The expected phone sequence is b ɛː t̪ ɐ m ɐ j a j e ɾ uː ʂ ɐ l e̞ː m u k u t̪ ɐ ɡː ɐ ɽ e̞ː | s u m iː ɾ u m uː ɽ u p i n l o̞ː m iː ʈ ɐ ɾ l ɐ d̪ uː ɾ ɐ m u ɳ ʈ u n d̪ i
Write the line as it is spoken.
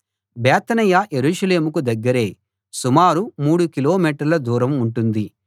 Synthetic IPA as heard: b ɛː t̪ ɐ n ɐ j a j e ɾ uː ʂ ɐ l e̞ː m u k u d̪ ɐ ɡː ɐ ɾ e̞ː | s u m aː ɾ u m uː ɽ u k i l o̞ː m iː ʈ ɐ ɾ l ɐ d̪ uː ɾ ɐ m u ɳ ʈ u n d̪ i